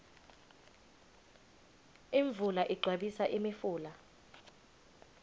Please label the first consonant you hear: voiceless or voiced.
voiced